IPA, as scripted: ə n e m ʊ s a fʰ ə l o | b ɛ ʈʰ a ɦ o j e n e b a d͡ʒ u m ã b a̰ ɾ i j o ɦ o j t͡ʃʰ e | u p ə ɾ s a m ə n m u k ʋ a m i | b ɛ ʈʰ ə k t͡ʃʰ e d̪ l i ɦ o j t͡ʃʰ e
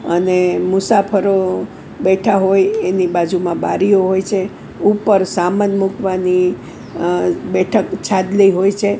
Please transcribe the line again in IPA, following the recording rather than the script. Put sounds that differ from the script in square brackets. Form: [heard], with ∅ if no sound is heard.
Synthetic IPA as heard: ə n e m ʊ s a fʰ ə [ɾ] o | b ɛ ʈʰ a ɦ o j e n [i] b a d͡ʒ u m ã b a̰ ɾ i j o ɦ o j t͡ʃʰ e | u p ə ɾ s a m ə n m u k ʋ a [n] i | b ɛ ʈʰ ə k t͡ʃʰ [a] d̪ l i ɦ o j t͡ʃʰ e